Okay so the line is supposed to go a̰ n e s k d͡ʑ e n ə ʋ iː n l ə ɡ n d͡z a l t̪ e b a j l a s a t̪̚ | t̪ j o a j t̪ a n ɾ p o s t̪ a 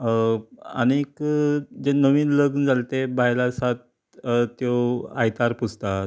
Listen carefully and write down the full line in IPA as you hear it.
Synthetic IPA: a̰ n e k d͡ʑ e n ə ʋ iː n l ə ɡ n d͡z a l t̪ e b a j l a s a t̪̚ | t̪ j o a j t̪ a ɾ p u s t̪ a